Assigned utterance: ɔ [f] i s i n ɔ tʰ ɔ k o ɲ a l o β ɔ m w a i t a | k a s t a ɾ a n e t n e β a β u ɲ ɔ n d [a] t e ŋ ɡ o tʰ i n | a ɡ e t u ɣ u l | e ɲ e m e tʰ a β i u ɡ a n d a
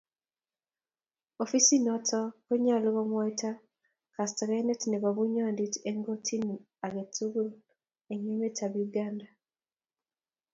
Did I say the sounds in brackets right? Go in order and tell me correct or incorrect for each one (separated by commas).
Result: correct, incorrect